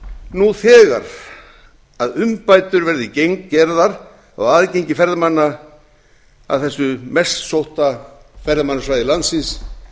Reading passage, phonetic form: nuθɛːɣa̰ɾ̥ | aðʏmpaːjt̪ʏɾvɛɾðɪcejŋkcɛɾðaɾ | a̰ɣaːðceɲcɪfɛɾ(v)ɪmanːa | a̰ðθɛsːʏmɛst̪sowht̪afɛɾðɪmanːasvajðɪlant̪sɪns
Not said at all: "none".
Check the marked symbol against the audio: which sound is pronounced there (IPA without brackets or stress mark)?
ð